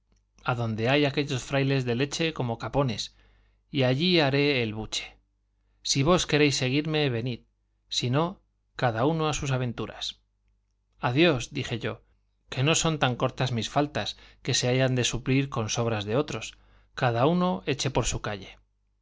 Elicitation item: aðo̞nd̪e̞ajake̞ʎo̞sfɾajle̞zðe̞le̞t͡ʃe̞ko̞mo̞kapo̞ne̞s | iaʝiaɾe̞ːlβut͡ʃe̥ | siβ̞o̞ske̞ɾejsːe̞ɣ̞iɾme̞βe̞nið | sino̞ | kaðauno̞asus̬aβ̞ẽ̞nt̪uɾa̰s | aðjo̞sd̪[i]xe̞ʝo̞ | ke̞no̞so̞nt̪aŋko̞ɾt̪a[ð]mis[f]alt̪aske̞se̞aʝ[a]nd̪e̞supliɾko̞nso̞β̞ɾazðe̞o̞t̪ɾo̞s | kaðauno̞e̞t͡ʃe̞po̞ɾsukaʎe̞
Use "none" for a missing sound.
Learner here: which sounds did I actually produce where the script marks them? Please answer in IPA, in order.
i, z, f, a

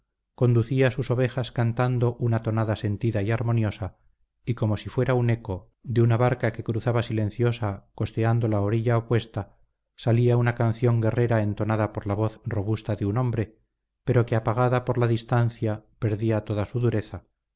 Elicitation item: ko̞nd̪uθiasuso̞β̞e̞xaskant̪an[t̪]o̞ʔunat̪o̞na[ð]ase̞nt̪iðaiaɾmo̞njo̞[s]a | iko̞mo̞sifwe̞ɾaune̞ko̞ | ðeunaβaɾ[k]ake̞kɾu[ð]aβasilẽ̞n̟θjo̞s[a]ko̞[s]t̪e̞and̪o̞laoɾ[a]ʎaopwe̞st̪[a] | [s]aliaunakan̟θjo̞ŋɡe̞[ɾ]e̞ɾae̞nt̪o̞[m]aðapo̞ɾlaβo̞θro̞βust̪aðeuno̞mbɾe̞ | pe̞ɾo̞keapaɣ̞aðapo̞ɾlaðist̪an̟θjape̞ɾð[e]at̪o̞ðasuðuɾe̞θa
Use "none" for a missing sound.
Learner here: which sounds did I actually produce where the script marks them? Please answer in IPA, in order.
d̪, ð, s, k, θ, a, s, i, a, s, r, n, i

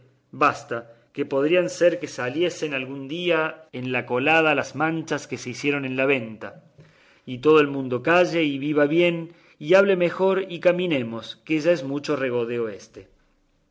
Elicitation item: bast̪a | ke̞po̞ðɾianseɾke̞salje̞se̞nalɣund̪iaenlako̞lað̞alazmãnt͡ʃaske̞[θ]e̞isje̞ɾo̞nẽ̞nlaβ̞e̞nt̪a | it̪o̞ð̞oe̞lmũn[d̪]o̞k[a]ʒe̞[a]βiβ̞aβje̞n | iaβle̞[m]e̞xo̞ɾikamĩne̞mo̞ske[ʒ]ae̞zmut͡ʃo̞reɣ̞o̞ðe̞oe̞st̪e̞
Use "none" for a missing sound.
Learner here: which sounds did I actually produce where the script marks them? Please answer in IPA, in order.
s, d̪, a, i, m, ʒ

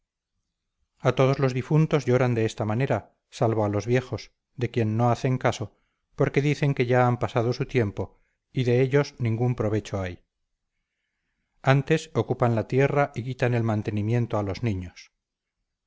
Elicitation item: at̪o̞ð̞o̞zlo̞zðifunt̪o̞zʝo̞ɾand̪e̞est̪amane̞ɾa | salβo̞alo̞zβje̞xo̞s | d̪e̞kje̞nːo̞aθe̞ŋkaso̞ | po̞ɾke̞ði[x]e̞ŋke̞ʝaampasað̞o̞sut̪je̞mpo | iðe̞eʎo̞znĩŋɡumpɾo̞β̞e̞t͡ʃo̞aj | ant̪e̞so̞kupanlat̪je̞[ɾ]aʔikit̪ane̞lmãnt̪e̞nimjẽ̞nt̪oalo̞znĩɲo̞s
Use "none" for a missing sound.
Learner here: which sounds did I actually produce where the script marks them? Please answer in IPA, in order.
θ, r

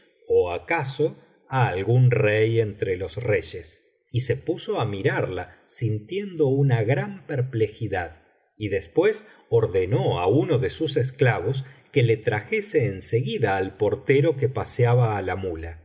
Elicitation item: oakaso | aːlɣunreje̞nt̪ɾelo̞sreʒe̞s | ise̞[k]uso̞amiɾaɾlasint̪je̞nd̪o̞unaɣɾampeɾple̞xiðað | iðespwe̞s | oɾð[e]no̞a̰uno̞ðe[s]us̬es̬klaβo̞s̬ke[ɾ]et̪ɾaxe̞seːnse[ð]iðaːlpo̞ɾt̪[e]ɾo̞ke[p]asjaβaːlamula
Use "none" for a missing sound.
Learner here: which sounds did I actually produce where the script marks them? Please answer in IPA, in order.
p, e, s, l, ɣ, e, p

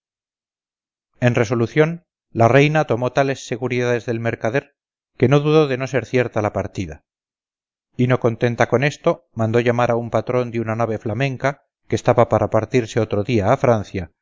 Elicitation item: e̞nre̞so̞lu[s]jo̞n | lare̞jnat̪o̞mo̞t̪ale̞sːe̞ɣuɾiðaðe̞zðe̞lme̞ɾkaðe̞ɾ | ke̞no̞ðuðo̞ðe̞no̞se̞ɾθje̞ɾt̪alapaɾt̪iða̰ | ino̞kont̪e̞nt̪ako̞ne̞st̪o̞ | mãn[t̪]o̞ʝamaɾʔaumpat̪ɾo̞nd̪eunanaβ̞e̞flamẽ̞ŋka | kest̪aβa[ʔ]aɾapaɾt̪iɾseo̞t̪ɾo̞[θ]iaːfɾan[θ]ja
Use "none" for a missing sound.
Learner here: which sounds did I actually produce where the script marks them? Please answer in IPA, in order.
θ, d̪, p, ð, θ

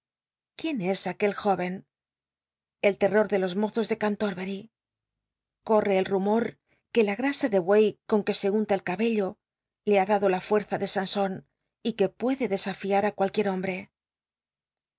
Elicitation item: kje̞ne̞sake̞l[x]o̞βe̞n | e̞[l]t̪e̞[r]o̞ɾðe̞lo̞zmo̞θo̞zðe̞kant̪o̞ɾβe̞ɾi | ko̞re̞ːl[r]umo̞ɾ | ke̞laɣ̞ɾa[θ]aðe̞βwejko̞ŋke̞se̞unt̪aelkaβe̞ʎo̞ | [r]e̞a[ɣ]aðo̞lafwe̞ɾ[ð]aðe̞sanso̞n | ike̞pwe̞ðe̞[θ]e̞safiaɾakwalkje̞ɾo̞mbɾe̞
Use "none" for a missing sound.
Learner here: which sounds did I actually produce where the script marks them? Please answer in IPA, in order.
x, l, r, r, s, l, ð, θ, ð

